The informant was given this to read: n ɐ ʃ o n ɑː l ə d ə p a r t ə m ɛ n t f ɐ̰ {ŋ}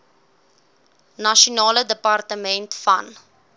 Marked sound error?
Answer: yes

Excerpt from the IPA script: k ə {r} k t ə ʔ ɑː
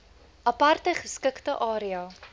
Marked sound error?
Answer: yes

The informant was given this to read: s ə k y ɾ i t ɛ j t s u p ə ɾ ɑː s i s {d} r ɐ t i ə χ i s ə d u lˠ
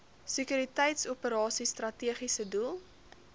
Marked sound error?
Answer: yes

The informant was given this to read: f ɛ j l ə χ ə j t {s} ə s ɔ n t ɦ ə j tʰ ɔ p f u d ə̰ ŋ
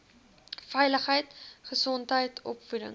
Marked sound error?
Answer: yes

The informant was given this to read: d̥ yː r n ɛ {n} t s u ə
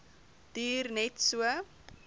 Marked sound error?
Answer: yes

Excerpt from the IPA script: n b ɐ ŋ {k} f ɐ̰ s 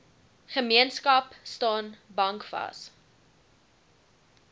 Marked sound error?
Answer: no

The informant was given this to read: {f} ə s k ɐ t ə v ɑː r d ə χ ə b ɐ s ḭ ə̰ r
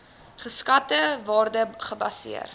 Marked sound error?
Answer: yes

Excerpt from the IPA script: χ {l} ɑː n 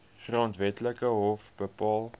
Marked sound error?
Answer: yes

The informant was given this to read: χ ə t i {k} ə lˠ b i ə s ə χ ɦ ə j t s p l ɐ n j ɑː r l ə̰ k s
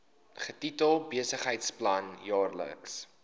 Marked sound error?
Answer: yes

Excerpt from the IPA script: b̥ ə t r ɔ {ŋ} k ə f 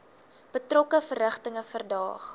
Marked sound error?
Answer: yes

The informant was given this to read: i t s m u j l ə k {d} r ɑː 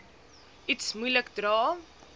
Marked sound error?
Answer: no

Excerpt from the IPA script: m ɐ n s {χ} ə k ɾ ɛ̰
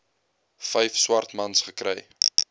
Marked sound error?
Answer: no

